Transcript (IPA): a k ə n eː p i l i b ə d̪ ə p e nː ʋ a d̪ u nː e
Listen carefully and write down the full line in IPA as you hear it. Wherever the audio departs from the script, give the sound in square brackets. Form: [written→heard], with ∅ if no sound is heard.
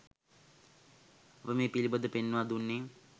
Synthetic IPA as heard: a [k→p] ə [n→m] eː p i l i b ə d̪ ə p e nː ʋ a d̪ u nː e